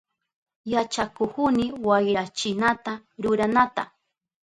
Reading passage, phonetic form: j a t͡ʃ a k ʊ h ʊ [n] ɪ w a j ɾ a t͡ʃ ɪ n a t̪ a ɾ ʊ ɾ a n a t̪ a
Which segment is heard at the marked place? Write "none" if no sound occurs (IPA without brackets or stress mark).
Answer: n